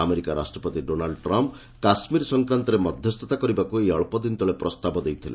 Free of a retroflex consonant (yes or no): no